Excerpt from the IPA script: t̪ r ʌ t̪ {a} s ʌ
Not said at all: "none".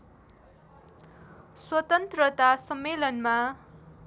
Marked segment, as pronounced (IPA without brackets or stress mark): a